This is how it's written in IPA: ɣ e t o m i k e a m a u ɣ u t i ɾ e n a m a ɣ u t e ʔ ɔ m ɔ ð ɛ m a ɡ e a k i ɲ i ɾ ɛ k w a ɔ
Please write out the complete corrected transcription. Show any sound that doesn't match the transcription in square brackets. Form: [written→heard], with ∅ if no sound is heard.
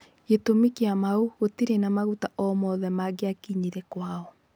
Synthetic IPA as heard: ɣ e t o m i k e a m a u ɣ [u→o] t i ɾ e n a m a ɣ u t [e→a] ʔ ɔ m ɔ ð ɛ m a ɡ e a k i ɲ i ɾ ɛ k w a ɔ